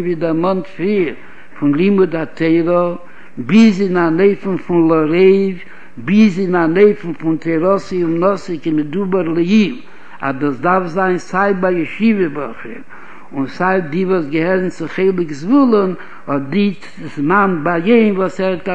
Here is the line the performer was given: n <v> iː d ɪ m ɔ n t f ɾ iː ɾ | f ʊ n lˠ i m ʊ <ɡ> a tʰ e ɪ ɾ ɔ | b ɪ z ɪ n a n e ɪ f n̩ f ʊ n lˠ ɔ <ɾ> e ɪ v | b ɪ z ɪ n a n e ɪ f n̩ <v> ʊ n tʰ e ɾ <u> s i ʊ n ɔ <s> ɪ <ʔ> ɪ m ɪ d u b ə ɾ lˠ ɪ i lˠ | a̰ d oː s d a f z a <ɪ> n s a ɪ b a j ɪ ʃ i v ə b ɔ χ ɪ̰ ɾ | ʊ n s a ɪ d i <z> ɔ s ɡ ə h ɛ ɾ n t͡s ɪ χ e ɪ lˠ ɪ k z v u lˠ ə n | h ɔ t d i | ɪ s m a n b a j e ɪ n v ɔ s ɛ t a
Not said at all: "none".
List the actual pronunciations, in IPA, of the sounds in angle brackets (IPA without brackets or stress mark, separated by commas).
v, d, ɾ, f, ɔ, s, k, ɪ, v